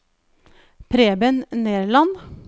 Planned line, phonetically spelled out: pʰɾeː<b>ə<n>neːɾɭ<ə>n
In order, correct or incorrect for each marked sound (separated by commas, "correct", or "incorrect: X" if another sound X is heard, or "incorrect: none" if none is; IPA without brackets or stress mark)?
correct, correct, incorrect: ɑ